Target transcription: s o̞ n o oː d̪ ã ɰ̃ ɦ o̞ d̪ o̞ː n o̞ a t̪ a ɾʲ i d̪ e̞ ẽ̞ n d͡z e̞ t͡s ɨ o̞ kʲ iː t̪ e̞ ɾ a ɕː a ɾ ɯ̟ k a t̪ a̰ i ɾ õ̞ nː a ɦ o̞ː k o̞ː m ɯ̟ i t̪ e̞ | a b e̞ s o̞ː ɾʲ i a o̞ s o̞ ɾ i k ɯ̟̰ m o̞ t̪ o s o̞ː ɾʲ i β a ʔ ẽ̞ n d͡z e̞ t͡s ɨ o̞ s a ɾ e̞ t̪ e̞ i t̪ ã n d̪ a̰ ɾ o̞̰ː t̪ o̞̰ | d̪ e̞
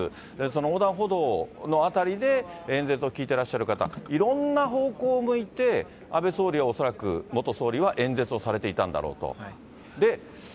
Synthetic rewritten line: s o̞ n o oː d̪ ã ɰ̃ ɦ o̞ d̪ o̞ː n o̞ a t̪ a ɾʲ i d̪ e̞ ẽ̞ n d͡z e̞ t͡s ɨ o̞ kʲ iː t̪ e̞ ɾ a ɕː a ɾ ɯ̟ k a t̪ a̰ i ɾ õ̞ nː a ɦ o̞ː k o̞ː m ɯ̟ i t̪ e̞ | a b e̞ s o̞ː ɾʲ i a o̞ s o̞ ɾ a k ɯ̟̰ m o̞ t̪ o s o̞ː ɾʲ i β a ʔ ẽ̞ n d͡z e̞ t͡s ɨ o̞ s a ɾ e̞ t̪ e̞ i t̪ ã n d̪ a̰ ɾ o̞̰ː t̪ o̞̰ | d̪ e̞

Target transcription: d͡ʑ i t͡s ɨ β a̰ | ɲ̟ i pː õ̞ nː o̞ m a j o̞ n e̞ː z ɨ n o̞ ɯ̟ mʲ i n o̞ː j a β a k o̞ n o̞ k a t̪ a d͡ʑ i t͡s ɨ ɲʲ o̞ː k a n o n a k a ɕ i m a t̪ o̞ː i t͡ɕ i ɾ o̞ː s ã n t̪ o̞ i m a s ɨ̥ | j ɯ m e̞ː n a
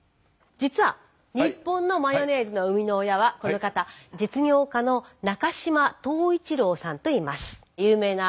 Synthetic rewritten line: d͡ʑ i t͡s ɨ β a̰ | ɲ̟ i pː õ̞ nː o̞ m a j o̞ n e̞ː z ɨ n o̞ ɯ̟ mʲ i n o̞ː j a β a k o̞ n o̞ k a t̪ a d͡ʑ i t͡s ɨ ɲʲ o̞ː k a n o n a k a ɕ i m a t̪ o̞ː i t͡ɕ i ɾ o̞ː s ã n t̪ o̞ i m a s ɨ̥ | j ɯː m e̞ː n a

